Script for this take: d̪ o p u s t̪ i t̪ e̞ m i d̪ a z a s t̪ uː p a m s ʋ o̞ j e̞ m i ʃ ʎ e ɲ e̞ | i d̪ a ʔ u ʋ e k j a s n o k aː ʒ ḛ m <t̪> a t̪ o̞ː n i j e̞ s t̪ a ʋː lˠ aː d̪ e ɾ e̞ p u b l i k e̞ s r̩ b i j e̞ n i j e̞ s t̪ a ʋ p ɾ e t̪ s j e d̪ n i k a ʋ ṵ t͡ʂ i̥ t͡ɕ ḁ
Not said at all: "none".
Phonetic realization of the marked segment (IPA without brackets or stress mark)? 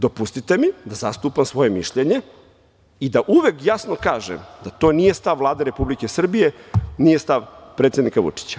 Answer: d̪